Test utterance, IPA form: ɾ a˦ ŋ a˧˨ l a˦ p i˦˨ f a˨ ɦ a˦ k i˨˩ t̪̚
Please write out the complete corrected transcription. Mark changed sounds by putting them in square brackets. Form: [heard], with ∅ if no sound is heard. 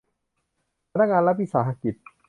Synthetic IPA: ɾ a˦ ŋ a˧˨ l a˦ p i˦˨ [s] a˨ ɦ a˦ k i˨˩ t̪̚

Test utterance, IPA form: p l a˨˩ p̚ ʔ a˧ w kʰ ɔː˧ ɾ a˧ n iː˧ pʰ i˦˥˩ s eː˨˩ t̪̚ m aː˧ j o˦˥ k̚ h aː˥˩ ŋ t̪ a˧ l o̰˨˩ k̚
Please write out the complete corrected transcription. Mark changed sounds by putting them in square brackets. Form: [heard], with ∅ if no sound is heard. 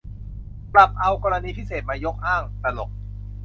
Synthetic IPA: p l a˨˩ p̚ ʔ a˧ w [k] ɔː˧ ɾ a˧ n iː˧ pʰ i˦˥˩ s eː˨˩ t̪̚ m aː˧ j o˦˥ k̚ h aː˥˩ ŋ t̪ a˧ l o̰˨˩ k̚

